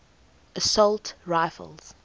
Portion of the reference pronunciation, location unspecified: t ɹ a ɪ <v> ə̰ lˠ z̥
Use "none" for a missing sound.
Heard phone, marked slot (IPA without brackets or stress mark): f